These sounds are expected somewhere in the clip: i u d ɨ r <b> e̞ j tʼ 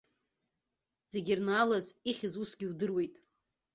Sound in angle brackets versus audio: incorrect: w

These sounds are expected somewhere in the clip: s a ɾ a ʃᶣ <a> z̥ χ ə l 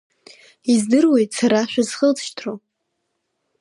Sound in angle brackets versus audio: correct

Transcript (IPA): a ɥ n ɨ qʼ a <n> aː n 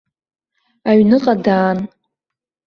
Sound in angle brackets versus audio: incorrect: d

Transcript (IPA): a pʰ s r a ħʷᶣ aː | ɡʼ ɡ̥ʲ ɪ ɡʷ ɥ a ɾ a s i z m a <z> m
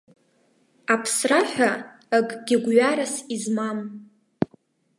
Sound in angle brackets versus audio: incorrect: none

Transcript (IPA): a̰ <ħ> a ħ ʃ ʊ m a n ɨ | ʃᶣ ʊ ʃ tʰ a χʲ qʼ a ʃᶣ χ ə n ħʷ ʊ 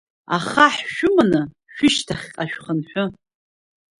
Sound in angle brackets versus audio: incorrect: χ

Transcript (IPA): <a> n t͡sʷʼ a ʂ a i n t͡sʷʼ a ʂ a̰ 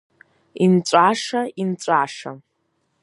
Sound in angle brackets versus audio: incorrect: i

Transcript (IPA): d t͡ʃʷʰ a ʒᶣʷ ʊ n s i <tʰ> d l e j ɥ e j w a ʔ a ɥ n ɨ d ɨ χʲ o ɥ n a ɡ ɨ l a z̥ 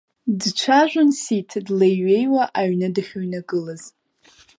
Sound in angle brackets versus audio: correct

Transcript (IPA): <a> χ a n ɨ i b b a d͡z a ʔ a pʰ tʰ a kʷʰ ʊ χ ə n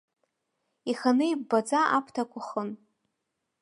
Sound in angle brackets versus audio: incorrect: i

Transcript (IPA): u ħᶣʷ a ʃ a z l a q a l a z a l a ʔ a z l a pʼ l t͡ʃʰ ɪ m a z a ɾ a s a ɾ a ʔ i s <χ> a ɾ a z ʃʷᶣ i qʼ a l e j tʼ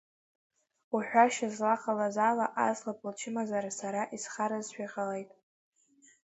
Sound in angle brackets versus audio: correct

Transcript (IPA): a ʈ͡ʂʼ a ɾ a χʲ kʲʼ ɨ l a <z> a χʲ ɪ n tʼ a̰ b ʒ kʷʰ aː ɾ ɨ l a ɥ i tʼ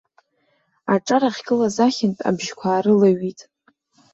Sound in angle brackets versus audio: correct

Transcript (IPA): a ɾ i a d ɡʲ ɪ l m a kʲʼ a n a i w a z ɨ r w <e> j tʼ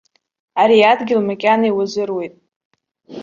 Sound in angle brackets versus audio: correct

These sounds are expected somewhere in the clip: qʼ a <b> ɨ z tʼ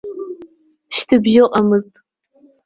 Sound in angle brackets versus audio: incorrect: m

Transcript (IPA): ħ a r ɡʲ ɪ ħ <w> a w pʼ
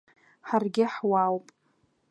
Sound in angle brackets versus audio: correct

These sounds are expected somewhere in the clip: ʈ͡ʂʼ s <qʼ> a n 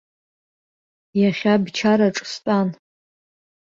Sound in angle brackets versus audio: incorrect: tʼ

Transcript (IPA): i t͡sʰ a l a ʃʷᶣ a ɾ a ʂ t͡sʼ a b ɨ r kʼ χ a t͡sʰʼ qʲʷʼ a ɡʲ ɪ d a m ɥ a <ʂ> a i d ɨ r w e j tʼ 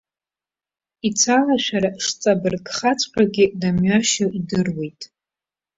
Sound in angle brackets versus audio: incorrect: ʃ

